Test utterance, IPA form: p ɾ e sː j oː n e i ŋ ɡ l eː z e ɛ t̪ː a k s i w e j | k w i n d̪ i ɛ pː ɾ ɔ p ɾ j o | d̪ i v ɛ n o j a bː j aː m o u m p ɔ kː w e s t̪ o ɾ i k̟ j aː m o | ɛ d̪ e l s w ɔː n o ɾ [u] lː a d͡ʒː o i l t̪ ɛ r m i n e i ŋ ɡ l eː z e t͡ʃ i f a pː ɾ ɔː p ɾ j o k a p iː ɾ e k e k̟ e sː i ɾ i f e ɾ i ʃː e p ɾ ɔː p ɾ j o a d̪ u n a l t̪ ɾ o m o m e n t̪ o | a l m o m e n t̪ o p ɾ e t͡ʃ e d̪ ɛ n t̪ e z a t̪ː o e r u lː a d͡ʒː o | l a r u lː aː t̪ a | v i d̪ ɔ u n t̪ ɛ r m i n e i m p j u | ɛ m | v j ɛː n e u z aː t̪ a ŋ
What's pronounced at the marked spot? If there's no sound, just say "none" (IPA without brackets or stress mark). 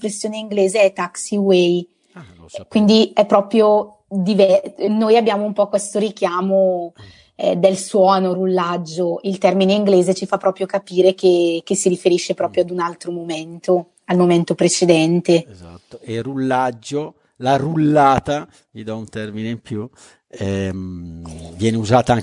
u